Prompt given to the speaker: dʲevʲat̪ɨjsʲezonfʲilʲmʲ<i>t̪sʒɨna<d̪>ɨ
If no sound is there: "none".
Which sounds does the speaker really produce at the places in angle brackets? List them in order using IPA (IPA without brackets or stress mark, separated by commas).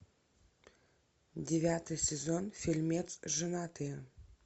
e, t̪